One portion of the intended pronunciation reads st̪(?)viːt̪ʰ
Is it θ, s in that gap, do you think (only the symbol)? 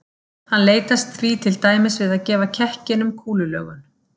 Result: θ